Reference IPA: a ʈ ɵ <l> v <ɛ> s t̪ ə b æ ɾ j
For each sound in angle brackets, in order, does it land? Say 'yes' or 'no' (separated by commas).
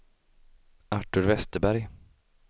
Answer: no, yes